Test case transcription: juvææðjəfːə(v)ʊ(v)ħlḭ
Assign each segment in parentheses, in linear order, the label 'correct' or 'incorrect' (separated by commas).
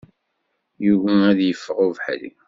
incorrect, correct